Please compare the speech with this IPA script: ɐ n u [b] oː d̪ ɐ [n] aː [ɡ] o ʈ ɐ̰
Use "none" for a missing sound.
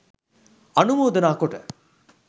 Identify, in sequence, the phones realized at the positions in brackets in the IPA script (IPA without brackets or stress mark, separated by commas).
m, n, k